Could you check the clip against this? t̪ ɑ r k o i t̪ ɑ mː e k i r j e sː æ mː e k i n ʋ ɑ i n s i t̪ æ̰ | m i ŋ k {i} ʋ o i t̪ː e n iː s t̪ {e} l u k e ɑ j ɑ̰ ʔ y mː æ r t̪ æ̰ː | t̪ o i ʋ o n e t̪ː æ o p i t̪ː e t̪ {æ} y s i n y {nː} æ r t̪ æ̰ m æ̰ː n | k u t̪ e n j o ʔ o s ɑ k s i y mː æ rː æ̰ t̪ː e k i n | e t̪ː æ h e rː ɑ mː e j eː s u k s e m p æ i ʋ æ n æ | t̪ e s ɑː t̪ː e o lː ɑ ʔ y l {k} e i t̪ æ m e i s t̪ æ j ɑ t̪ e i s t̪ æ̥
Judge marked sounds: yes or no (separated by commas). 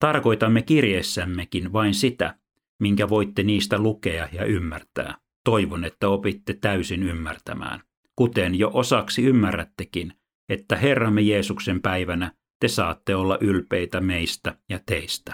no, no, yes, no, no